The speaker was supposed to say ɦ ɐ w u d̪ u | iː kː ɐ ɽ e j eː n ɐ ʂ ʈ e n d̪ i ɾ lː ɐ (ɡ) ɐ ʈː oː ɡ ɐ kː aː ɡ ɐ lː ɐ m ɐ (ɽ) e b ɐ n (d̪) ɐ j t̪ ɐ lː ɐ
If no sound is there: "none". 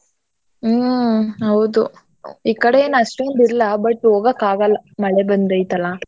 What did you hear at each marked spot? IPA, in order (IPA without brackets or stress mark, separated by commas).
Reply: b, ɭ, d̪